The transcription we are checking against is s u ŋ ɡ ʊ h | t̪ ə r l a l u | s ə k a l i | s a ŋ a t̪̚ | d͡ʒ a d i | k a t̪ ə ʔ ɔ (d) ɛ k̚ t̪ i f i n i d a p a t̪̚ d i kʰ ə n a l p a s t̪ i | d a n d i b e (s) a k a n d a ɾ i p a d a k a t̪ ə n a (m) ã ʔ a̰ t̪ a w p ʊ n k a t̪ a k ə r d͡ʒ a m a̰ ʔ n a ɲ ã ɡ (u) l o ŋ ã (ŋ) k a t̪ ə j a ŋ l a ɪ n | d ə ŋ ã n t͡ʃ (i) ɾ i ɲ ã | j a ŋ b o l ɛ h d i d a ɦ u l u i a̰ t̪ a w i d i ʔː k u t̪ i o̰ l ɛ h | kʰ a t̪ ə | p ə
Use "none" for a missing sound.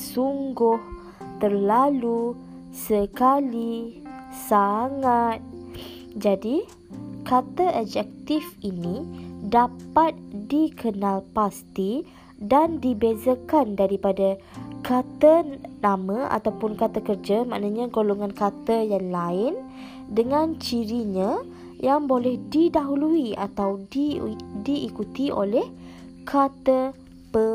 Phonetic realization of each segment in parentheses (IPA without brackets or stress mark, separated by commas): d͡ʒ, z, m, o, n, i